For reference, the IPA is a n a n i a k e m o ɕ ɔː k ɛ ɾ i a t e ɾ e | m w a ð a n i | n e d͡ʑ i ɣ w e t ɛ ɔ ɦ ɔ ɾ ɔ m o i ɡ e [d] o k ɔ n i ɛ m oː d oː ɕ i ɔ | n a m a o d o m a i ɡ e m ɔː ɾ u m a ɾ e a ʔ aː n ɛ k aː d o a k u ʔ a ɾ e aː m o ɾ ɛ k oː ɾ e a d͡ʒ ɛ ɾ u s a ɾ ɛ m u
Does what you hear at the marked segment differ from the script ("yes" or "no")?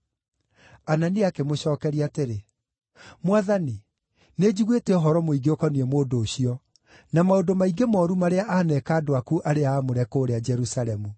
yes